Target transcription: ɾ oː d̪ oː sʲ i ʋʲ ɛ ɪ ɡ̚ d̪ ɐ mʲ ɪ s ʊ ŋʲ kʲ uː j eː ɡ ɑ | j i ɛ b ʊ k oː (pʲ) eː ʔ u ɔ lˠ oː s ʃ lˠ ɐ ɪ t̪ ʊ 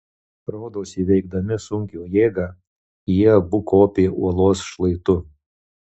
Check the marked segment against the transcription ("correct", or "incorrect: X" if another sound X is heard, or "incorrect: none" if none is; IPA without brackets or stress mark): correct